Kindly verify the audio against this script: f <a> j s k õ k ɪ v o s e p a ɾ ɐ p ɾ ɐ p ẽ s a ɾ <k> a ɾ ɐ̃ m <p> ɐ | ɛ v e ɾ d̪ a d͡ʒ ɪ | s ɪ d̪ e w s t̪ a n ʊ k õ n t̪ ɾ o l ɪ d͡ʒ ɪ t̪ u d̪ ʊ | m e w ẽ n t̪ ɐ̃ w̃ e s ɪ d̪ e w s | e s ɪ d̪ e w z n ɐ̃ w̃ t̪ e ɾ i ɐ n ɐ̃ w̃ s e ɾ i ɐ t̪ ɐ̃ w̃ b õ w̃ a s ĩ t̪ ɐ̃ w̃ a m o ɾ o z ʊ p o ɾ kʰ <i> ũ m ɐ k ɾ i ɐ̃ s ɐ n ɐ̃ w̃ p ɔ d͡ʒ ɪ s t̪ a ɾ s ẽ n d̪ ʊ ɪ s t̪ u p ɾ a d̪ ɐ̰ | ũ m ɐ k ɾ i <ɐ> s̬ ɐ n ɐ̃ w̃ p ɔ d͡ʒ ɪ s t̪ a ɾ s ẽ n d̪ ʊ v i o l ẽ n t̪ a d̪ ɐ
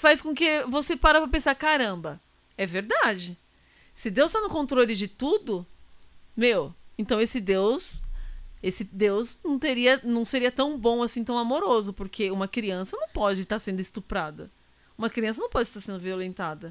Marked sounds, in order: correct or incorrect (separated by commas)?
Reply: correct, correct, incorrect, incorrect, incorrect